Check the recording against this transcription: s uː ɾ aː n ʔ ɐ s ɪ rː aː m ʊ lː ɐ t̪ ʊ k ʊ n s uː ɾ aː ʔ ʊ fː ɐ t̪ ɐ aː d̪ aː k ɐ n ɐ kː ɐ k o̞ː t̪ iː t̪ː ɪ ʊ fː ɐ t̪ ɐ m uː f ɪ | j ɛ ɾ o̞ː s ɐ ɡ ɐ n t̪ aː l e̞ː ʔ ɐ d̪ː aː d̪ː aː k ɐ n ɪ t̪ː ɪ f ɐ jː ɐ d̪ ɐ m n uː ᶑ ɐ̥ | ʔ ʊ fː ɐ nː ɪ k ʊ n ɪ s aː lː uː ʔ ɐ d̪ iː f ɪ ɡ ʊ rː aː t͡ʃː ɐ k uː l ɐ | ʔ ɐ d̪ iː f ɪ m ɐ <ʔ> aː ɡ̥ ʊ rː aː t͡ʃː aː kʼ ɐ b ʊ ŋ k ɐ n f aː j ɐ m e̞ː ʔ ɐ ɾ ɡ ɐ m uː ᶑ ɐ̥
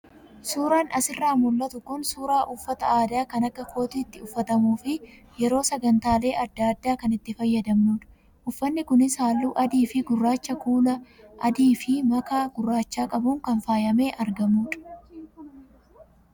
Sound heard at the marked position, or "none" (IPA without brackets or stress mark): k